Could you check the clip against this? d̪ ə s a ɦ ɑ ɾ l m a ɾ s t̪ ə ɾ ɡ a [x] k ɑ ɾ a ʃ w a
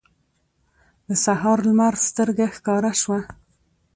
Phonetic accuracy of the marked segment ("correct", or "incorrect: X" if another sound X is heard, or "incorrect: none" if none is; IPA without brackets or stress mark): correct